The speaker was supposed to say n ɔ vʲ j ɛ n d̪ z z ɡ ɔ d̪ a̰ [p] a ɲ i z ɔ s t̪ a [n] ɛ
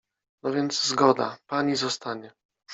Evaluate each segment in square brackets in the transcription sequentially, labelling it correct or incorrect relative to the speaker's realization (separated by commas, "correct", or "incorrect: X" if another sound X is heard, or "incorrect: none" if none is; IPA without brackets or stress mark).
correct, incorrect: ɲ